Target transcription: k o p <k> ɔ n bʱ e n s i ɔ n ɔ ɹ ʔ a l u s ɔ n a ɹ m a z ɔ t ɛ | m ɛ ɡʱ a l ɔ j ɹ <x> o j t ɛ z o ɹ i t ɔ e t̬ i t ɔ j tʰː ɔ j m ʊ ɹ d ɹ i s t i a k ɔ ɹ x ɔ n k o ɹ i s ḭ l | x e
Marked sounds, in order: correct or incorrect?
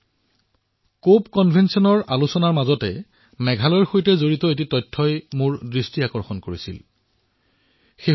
correct, correct

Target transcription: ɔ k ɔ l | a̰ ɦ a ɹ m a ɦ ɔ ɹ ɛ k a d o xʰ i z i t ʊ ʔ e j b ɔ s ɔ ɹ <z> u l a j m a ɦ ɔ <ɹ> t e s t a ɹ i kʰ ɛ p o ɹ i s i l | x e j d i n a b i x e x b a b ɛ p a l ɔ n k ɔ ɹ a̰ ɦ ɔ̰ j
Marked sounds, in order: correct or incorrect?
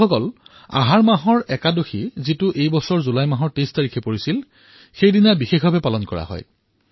correct, correct

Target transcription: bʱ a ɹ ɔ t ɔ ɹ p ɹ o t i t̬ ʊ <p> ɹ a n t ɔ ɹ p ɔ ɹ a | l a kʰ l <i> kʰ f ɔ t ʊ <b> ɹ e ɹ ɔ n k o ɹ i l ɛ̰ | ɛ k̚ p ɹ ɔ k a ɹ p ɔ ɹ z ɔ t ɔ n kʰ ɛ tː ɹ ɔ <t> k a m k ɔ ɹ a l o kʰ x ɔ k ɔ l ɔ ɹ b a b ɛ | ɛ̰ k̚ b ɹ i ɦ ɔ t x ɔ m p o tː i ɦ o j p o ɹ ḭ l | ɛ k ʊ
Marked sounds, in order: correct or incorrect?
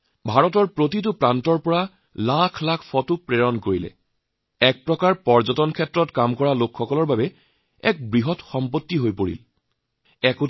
correct, incorrect, incorrect, correct

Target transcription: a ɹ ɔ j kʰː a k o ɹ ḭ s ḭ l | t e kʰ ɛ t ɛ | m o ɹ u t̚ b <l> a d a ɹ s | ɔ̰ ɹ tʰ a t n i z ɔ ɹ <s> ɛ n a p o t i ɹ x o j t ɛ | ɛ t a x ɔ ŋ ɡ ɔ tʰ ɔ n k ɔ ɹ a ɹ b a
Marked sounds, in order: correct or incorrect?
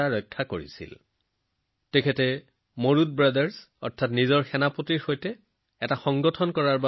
incorrect, incorrect

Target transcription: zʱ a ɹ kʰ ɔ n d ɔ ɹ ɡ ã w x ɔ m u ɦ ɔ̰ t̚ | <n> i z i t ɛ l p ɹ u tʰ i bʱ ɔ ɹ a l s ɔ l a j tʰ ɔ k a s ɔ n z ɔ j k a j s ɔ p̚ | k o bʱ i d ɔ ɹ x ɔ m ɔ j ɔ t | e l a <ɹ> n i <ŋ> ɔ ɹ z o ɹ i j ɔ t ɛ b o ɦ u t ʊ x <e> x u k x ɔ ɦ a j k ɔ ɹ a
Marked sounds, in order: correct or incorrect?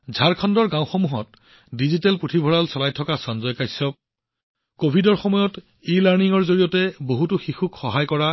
incorrect, correct, correct, incorrect

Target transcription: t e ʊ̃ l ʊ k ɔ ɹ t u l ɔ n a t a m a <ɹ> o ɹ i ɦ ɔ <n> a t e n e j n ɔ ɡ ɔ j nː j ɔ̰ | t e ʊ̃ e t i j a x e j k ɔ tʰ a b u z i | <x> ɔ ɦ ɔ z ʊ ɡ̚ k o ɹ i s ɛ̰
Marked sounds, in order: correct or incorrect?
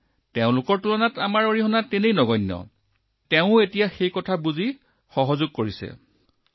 correct, correct, correct

